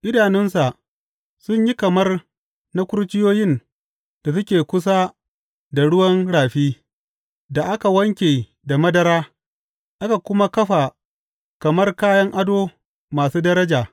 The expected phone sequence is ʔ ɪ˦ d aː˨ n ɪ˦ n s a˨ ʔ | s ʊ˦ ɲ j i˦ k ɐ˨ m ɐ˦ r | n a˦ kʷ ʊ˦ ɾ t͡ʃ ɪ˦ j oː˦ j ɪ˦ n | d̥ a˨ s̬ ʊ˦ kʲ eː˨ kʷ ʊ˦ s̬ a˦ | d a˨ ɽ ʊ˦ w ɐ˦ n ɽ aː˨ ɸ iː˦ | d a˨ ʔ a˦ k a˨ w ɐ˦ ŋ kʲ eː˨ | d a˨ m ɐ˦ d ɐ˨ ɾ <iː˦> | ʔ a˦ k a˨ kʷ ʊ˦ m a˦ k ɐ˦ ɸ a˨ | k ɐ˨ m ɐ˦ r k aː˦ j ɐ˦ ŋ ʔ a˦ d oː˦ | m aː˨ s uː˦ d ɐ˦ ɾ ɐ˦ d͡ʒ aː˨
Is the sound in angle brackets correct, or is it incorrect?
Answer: incorrect